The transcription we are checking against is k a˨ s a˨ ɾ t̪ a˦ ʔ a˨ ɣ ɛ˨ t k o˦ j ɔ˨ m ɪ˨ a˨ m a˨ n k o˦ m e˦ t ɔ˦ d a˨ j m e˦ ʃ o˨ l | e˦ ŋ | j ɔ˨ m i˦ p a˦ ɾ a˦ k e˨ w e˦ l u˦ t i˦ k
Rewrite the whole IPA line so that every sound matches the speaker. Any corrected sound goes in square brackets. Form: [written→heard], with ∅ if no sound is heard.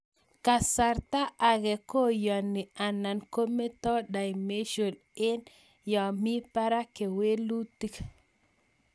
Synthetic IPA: k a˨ s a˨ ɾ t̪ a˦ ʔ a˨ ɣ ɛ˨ [t→∅] k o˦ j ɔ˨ [m→n] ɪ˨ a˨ [m→n] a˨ n k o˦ m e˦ t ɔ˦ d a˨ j m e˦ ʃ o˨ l | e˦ [ŋ→n] | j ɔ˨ m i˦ p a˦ ɾ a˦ k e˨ w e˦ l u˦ t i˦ k